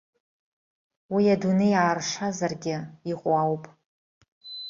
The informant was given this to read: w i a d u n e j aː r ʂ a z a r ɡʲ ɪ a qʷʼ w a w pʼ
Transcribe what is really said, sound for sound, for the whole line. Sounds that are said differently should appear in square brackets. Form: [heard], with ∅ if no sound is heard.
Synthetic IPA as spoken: w i a d u n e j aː r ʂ a z a r ɡʲ ɪ [i] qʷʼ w a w pʼ